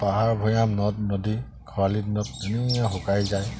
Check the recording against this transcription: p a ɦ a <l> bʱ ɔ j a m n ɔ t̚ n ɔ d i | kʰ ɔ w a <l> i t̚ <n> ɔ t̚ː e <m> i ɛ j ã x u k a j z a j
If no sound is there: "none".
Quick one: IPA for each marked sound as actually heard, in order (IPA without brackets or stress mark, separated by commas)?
ɹ, l, n, n